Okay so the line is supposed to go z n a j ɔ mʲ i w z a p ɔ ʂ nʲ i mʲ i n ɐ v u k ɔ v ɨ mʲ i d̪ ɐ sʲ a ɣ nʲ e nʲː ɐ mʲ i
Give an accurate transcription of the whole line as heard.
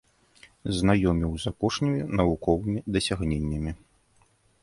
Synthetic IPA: z n a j ɔ mʲ i w z a p ɔ ʂ nʲ i mʲ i n ɐ v u k ɔ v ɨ mʲ i d̪ ɐ sʲ a ɣ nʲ e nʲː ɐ mʲ i